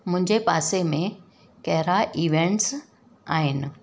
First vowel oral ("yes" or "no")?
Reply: no